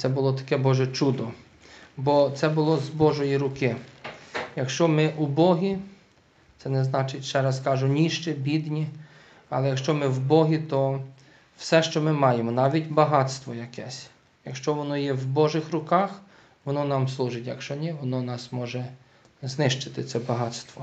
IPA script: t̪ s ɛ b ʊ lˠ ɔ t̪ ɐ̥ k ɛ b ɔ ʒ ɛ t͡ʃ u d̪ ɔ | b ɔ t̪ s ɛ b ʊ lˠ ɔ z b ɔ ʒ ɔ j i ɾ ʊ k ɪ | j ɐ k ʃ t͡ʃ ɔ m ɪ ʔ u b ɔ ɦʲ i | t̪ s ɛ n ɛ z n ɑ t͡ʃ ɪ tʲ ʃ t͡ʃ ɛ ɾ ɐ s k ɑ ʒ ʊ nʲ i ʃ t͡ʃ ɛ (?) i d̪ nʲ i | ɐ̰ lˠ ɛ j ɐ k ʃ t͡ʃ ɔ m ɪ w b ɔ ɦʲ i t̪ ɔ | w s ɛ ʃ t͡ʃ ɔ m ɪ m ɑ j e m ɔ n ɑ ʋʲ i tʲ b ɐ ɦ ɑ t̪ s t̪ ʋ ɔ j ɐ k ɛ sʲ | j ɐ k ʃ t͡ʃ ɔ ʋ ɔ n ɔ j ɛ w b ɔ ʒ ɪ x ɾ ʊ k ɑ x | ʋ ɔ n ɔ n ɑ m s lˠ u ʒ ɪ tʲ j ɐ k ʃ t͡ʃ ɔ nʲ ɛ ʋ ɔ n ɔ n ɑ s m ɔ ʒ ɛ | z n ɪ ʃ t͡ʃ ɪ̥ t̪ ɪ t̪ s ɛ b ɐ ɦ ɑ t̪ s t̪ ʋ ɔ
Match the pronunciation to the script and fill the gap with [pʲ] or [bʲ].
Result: bʲ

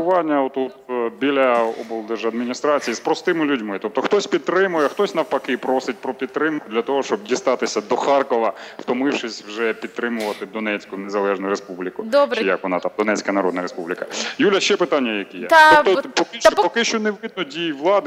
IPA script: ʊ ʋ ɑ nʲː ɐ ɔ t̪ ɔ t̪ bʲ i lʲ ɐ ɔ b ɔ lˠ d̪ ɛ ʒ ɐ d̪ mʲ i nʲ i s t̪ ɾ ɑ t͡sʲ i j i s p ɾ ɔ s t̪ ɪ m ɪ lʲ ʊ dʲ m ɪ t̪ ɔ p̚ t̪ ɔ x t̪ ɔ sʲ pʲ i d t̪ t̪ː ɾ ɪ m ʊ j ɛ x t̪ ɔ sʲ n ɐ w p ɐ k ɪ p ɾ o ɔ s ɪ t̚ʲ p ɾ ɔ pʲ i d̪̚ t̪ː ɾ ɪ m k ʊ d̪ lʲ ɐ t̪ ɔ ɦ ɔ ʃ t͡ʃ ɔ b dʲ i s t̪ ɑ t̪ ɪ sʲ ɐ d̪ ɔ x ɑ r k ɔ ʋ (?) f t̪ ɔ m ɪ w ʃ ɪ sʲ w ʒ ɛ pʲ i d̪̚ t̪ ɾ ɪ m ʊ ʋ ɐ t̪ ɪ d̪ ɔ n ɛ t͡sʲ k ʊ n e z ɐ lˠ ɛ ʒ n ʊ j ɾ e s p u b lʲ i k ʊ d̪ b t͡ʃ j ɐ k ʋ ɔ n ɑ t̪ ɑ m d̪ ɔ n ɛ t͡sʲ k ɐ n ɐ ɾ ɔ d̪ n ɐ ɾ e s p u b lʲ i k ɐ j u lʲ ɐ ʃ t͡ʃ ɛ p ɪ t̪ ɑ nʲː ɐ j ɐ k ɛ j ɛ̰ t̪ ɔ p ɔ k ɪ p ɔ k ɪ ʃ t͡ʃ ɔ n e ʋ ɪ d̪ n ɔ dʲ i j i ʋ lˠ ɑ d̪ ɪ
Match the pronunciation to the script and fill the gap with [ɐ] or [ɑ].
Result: ɐ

